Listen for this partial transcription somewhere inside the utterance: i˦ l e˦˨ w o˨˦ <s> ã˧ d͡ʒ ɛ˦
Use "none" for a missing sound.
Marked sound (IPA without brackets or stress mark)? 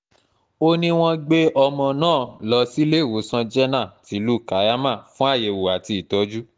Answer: s